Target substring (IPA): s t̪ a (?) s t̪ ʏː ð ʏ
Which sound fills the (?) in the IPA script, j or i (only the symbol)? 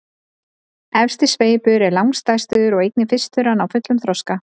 j